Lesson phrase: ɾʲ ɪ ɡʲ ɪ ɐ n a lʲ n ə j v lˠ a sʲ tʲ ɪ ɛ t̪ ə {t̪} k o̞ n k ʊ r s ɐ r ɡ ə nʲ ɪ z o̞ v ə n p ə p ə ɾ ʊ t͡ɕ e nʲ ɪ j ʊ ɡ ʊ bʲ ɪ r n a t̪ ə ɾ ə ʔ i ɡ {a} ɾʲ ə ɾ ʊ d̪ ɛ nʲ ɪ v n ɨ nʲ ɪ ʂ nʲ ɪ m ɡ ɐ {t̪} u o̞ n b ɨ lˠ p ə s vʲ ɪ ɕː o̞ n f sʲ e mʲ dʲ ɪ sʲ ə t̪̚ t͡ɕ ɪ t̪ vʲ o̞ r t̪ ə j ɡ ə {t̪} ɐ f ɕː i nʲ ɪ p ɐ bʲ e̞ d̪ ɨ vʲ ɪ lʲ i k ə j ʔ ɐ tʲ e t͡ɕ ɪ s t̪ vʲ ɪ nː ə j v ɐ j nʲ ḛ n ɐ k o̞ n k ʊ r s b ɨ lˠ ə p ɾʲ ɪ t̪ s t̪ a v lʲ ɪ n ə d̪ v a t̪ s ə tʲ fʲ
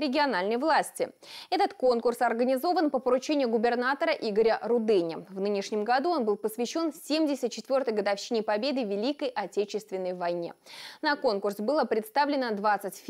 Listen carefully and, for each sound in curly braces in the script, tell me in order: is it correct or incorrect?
correct, incorrect: ə, incorrect: d̪, incorrect: d̪

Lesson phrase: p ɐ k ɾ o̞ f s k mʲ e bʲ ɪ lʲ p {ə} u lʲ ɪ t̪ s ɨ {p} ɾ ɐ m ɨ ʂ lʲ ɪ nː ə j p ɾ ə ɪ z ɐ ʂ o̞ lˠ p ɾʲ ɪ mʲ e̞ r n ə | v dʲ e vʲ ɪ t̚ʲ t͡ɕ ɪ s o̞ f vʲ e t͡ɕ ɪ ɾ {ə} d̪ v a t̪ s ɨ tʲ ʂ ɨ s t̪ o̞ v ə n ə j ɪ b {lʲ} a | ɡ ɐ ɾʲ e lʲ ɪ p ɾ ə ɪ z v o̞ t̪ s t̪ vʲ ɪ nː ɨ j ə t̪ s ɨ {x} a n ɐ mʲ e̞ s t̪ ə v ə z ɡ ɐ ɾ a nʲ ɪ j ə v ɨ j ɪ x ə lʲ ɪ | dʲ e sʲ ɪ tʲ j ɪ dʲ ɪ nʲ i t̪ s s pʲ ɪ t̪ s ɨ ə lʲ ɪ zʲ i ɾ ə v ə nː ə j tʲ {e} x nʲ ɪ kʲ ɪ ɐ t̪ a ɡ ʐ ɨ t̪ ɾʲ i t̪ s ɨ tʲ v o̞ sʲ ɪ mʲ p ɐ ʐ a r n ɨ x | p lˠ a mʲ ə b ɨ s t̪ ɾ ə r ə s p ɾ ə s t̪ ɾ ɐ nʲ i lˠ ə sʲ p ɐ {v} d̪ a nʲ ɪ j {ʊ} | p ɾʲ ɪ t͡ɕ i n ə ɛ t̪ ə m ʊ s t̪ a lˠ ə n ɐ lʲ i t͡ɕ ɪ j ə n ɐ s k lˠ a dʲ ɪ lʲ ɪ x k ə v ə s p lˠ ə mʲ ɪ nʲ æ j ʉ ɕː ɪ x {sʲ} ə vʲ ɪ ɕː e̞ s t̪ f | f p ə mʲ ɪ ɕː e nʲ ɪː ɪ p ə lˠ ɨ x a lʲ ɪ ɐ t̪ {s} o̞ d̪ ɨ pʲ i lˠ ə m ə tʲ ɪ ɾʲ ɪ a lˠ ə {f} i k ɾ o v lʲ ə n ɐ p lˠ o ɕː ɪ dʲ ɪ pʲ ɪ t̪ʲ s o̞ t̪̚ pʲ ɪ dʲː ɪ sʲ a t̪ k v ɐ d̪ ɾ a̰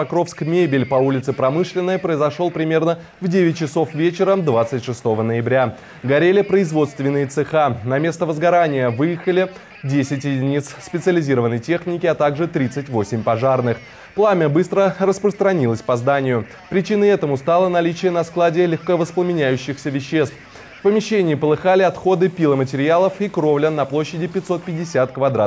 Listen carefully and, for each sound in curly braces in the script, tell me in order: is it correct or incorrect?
incorrect: ɐ, correct, correct, incorrect: ɾʲ, correct, correct, incorrect: z, correct, correct, incorrect: x, correct

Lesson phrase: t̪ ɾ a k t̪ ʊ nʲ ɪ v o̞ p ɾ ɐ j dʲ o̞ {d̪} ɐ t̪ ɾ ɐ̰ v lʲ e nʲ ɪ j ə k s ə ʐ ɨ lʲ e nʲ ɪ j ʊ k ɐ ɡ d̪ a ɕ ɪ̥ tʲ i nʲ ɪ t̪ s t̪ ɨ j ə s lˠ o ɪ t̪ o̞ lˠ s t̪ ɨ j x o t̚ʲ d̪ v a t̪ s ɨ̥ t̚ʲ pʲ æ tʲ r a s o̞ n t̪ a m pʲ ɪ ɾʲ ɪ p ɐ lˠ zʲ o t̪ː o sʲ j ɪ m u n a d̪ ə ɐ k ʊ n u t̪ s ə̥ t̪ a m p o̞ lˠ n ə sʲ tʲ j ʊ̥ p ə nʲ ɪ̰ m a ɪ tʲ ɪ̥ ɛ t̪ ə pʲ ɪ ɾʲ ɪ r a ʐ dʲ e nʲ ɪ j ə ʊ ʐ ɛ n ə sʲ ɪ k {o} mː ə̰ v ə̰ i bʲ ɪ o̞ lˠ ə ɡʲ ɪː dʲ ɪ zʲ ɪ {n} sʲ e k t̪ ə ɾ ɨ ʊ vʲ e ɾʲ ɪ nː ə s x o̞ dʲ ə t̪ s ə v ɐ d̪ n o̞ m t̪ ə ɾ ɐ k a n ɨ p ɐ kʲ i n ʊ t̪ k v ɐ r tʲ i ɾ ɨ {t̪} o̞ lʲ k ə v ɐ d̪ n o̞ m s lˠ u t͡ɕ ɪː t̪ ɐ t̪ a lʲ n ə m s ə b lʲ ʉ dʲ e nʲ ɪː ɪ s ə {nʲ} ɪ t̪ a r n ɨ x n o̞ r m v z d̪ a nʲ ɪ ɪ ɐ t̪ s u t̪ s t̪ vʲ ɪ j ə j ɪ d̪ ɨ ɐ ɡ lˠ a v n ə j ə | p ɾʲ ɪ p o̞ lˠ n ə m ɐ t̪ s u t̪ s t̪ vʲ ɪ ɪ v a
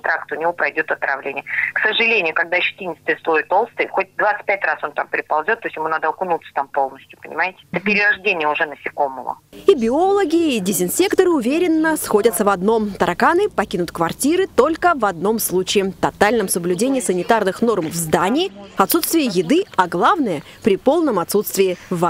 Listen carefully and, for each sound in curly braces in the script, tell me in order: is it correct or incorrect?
incorrect: t̪, correct, correct, correct, correct

